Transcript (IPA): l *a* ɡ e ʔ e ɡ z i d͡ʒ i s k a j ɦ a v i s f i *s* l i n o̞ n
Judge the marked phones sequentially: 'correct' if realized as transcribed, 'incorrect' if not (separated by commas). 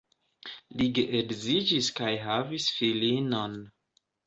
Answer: incorrect, incorrect